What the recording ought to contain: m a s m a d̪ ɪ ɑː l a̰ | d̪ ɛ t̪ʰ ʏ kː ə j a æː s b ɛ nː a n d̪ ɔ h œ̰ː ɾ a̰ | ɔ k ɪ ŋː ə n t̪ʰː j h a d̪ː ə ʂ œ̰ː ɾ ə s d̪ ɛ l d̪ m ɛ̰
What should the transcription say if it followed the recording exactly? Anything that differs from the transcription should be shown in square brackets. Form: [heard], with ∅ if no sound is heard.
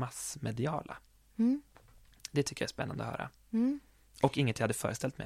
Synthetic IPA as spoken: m a s m [ɛ] d̪ ɪ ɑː l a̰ | d̪ ɛ t̪ʰ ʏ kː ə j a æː s [p] ɛ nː a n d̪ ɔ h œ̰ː ɾ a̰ | ɔ k ɪ ŋː ə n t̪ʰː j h a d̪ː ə [f] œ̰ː ɾ ə s [t̪] ɛ l [t̪] m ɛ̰